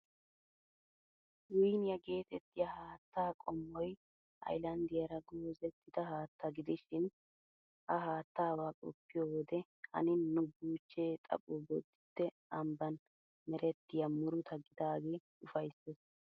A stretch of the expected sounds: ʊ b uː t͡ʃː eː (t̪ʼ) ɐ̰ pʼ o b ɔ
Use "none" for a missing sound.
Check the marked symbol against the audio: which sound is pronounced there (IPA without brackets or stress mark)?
t̪ʼ